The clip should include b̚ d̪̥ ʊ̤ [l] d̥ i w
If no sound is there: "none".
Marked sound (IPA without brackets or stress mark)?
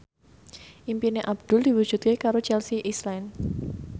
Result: l